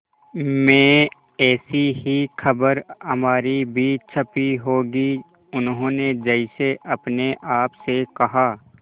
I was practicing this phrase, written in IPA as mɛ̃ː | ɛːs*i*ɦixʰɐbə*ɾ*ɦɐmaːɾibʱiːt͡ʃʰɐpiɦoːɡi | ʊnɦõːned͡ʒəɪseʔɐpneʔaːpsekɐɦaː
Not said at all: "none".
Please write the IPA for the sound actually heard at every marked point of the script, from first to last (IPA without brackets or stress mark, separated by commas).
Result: i, ɾ